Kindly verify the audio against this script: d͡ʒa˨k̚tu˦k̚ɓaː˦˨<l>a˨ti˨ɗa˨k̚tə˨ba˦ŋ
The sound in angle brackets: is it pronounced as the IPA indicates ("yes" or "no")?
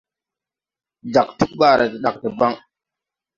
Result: no